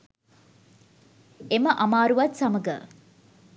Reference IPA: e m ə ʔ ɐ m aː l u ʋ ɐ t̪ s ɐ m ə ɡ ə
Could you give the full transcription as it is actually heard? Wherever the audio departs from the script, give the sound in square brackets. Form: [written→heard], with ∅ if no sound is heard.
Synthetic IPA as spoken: e m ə ʔ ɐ m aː [l→ɾ] u ʋ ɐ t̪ s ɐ m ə ɡ ə